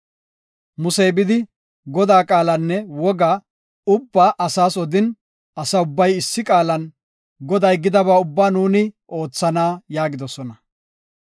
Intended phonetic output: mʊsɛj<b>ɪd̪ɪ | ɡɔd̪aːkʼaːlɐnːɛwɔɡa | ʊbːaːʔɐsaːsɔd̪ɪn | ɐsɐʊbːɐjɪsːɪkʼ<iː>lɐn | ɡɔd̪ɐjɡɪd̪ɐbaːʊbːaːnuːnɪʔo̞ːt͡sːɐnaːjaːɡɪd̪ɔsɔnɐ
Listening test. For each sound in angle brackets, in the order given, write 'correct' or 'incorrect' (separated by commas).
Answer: correct, incorrect